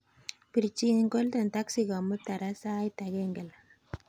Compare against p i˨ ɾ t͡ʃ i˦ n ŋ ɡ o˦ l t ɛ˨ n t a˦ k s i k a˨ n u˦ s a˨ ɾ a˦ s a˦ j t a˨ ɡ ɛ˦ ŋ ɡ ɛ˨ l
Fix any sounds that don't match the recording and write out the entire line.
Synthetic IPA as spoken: p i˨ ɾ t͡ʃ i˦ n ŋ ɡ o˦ l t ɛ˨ n t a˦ k s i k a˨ m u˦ t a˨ ɾ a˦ s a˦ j t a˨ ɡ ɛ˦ ŋ ɡ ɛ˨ l